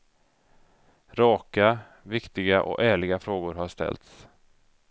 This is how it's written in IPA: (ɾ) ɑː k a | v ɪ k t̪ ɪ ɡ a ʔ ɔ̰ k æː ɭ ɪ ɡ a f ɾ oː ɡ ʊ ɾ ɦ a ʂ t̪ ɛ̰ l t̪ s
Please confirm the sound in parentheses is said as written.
yes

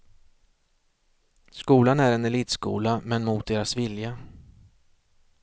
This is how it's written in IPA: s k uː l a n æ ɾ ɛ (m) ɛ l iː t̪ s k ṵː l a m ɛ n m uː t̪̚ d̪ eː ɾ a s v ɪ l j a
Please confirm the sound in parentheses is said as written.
no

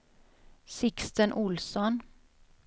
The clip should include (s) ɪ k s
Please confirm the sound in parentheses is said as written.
yes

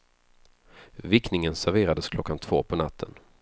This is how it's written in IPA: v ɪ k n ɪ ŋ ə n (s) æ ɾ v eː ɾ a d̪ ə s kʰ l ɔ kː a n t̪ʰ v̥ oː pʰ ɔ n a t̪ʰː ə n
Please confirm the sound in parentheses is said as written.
yes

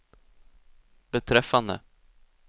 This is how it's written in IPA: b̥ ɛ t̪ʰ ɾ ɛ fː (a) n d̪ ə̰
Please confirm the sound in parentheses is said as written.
yes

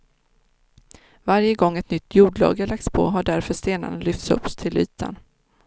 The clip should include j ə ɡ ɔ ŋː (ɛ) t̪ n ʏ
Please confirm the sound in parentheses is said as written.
yes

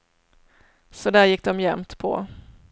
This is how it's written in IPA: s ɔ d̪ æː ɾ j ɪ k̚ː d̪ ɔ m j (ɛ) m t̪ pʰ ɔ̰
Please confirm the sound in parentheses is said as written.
yes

